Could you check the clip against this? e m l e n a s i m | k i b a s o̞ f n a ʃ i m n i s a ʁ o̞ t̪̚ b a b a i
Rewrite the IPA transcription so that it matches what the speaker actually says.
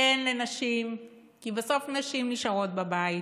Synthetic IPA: e n l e n a ʃ i m | k i b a s o̞ f n a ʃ i m n i ʃ a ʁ o̞ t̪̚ b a b a i